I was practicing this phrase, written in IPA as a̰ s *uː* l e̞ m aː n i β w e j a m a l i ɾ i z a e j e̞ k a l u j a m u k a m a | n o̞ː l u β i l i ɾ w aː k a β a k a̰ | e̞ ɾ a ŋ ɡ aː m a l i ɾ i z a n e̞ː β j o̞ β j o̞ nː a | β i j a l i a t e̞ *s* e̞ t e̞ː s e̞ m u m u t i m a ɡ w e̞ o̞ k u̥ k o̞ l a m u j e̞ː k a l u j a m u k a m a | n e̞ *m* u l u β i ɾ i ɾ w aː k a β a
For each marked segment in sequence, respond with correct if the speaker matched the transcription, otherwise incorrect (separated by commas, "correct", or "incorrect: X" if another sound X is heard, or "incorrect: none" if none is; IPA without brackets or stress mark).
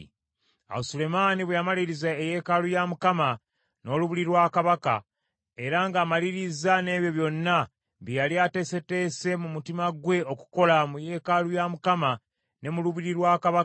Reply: incorrect: u, correct, correct